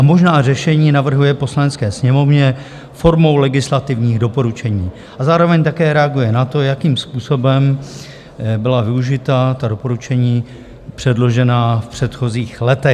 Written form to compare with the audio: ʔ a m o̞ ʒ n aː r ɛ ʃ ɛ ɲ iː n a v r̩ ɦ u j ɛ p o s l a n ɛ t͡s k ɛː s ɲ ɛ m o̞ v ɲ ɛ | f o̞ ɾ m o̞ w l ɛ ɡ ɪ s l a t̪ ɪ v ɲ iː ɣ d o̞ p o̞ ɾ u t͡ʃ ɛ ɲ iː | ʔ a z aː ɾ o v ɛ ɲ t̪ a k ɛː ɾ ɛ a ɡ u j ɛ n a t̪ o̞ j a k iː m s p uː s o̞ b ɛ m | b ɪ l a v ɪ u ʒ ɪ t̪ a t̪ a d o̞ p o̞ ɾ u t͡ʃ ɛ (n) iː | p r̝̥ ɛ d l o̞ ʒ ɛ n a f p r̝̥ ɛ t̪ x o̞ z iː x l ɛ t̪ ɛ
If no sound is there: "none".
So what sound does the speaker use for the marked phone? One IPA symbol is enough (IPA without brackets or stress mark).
ɲ